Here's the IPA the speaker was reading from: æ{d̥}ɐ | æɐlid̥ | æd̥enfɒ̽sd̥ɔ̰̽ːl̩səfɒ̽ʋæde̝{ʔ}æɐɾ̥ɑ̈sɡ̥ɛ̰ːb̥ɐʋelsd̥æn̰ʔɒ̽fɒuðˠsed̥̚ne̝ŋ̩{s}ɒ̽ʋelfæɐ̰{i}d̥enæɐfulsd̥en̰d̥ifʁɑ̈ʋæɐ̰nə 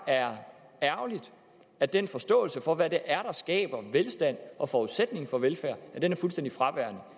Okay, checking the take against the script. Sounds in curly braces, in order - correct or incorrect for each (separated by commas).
incorrect, correct, incorrect, incorrect